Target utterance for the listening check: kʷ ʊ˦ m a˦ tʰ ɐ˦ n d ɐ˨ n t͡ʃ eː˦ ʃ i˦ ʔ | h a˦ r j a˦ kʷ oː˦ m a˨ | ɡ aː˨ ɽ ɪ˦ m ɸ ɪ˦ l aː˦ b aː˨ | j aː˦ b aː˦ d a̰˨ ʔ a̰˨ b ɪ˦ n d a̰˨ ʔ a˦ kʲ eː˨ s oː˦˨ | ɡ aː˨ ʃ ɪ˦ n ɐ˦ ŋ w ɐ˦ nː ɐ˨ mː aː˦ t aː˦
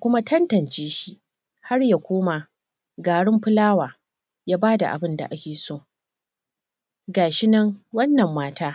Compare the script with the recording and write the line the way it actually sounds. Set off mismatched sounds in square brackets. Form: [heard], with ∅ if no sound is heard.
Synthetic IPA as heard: kʷ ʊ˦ m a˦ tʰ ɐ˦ n [t] ɐ˨ n t͡ʃ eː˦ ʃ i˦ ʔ | h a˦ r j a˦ kʷ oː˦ m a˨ | ɡ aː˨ ɽ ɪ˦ m ɸ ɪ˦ l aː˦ [w] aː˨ | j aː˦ b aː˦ d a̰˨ ʔ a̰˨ b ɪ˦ n d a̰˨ ʔ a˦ kʲ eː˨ s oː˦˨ | ɡ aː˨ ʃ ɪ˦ n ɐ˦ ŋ w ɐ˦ nː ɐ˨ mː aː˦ t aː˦